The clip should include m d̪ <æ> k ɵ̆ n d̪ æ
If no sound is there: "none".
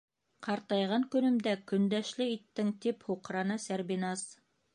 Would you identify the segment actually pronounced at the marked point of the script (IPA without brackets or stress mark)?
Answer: æ